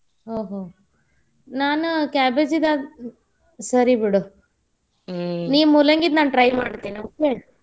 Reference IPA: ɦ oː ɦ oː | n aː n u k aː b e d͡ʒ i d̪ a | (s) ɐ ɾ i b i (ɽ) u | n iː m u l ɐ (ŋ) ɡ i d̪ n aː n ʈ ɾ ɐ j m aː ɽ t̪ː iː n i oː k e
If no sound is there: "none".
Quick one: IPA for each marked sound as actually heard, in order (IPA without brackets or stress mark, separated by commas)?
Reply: s, ɽ, ŋ